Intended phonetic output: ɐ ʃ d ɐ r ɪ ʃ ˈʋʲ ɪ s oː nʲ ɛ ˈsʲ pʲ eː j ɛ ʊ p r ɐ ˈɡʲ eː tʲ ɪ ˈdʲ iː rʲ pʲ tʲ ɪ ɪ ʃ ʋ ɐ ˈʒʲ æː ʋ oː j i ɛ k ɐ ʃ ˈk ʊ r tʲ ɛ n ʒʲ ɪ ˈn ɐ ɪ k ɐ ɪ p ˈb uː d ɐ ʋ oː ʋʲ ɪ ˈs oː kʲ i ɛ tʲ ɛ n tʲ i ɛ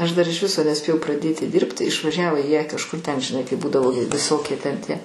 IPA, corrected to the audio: ɐ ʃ d ɐ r ɪ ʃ ˈʋʲ ɪ s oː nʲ ɛ ˈsʲ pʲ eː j ɛ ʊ p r ɐ ˈdʲ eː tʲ ɪ ˈdʲ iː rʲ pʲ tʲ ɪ ɪ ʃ ʋ ɐ ˈʒʲ æː ʋ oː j i ɛ k ɐ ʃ ˈk ʊ r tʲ ɛ n ʒʲ ɪ ˈn ɐ ɪ k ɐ ɪ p ˈb uː d ɐ ʋ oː ʋʲ ɪ ˈs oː kʲ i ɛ tʲ ɛ n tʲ i ɛ